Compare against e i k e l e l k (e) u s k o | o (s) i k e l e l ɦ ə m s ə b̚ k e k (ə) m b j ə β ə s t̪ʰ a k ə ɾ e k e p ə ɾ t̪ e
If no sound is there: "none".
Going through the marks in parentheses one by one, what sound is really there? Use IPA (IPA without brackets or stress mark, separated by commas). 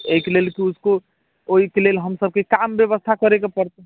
i, none, a